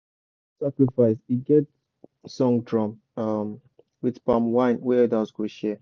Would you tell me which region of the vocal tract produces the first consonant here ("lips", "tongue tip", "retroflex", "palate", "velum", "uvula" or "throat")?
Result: tongue tip